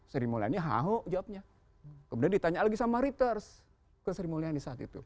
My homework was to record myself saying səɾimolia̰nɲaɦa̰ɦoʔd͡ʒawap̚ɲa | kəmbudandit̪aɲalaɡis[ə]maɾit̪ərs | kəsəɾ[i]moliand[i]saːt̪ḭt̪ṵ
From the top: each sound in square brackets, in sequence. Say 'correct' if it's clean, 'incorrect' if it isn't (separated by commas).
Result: incorrect, correct, correct